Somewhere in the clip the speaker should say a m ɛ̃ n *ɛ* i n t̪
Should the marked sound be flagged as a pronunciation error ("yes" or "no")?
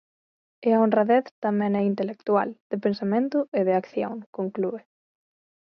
no